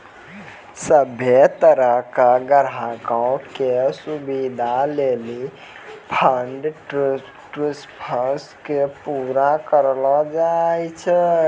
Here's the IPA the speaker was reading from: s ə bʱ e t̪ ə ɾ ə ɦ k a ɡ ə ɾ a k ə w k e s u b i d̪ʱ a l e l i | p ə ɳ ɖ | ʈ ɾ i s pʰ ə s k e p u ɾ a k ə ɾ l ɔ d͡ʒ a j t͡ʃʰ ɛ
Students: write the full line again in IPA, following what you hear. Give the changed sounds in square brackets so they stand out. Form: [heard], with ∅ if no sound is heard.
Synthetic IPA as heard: s ə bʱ e t̪ ə ɾ ə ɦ k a ɡ ə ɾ a k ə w k e s u b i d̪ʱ a l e l i | [pʰ] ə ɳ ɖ | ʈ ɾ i s pʰ ə s k e p u ɾ a k ə ɾ l ɔ d͡ʒ a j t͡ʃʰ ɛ